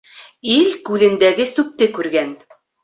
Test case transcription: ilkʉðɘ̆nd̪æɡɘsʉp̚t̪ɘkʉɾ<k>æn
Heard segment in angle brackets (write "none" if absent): ɡ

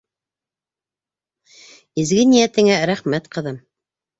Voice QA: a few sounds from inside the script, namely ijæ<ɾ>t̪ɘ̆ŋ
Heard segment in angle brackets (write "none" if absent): none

